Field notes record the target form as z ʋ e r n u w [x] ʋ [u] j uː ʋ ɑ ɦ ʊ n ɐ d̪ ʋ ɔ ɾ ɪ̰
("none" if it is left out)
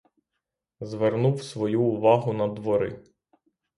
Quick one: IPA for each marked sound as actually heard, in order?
s, ɔ

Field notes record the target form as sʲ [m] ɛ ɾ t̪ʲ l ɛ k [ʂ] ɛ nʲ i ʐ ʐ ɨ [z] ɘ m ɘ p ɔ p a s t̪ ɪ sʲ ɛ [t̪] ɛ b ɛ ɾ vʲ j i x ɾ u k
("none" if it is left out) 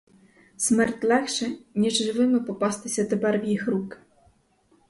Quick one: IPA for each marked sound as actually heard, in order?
m, ʂ, v, t̪

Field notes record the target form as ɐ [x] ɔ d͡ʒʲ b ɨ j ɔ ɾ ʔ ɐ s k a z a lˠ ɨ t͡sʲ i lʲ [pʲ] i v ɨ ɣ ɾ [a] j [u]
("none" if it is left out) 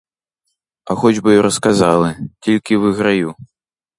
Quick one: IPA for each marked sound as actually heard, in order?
x, kʲ, a, u

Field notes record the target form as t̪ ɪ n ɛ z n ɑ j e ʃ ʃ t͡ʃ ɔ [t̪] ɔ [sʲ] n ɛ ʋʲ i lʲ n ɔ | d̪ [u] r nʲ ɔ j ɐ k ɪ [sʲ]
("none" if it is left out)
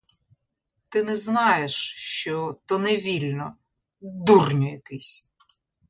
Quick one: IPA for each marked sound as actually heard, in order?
t̪, none, u, sʲ

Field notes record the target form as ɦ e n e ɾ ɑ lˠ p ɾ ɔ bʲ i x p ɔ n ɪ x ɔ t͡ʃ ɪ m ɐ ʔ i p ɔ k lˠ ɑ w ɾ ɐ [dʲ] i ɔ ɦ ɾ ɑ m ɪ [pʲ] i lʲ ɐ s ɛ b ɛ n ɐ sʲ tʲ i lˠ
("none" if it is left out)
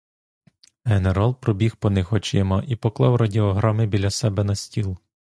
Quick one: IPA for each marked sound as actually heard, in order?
dʲ, bʲ

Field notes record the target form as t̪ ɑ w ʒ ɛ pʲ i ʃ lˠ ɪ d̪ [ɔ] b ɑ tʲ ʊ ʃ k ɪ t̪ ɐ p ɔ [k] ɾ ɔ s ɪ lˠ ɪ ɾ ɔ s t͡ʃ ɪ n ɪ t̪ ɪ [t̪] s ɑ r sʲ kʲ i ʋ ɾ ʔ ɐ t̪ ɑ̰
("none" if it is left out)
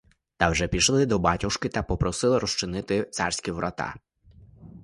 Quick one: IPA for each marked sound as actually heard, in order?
ɔ, p, t̪

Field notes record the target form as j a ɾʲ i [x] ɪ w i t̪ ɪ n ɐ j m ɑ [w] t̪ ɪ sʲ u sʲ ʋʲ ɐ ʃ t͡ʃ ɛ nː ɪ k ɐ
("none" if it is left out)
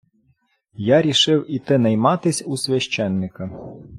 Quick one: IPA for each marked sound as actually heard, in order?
ʃ, none

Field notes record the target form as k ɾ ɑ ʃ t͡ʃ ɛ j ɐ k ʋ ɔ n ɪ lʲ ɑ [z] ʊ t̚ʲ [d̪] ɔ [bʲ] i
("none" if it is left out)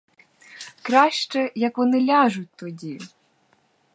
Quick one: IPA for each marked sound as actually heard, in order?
ʒ, t̪, dʲ

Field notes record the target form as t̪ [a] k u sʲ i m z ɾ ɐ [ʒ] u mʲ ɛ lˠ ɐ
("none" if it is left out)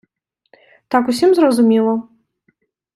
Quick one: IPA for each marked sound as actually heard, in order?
a, z

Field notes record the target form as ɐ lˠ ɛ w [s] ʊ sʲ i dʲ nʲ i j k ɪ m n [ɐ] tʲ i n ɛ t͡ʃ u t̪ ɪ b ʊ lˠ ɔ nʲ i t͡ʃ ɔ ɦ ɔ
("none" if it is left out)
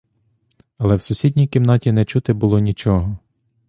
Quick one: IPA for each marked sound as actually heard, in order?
s, ɑ

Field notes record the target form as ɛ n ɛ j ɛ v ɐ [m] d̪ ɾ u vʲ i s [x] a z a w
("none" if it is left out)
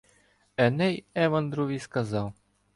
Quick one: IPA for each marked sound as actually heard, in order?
n, k

